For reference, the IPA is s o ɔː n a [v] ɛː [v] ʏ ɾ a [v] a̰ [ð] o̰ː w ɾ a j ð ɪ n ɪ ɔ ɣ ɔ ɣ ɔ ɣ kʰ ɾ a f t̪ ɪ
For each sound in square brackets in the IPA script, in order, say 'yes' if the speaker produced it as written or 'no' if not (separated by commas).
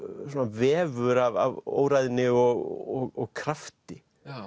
yes, yes, yes, no